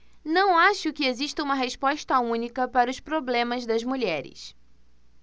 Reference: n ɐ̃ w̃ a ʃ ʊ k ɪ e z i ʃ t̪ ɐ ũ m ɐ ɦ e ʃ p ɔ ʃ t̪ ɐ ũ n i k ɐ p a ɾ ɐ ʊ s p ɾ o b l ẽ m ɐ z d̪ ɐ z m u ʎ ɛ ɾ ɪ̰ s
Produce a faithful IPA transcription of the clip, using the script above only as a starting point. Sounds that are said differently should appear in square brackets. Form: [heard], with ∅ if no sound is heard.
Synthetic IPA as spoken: n ɐ̃ w̃ a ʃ ʊ k ɪ e z i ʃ t̪ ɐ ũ m ɐ ɦ e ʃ p ɔ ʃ t̪ ɐ ũ n i k ɐ p a ɾ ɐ ʊ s p ɾ o b l ẽ m ɐ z d̪ ɐ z m u ʎ ɛ ɾ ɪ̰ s